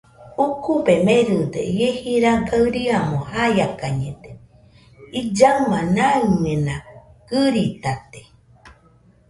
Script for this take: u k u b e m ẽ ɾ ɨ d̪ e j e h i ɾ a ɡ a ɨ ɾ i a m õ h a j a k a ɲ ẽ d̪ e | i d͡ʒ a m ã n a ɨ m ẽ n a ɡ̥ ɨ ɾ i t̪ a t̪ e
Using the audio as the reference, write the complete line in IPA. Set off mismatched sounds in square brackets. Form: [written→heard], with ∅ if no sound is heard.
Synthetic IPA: u k u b e m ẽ ɾ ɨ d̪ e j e h i ɾ a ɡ a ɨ ɾ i a m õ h a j a k a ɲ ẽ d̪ e | i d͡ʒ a m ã n a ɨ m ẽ n a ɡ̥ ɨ ɾ i t̪ a t̪ e